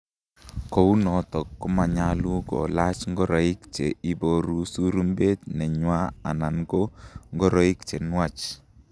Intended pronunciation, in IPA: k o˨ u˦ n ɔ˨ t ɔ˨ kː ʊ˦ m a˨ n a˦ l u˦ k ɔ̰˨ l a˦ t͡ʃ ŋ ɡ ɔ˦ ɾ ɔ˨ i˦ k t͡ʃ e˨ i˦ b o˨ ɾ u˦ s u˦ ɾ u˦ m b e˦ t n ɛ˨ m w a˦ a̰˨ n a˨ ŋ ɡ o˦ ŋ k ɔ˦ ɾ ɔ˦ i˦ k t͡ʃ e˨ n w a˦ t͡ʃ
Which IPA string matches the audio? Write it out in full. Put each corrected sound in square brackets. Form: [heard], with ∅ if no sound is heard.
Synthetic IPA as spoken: k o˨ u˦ n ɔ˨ t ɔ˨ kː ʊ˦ m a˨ [ɲ] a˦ l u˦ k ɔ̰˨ l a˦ t͡ʃ ŋ ɡ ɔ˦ ɾ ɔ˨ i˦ k t͡ʃ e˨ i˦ b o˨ ɾ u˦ s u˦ ɾ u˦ m b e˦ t n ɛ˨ [ɲ] w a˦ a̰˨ n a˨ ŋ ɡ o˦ ŋ [ɡ] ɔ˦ ɾ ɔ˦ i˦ k t͡ʃ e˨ n w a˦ t͡ʃ